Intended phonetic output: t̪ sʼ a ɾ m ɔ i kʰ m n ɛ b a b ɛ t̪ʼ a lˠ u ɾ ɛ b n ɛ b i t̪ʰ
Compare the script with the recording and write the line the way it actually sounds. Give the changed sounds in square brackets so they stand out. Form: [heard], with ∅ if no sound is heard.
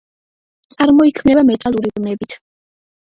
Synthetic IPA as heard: t̪ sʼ a ɾ m ɔ i kʰ m n ɛ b a [m] ɛ t̪ʼ a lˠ u ɾ [i] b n ɛ b i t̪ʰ